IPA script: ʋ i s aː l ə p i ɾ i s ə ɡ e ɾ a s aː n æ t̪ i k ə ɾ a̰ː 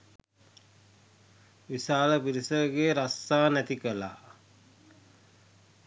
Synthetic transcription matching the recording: ʋ i s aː l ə p i ɾ i s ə ɡ e ɾ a s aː n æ t̪ i k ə l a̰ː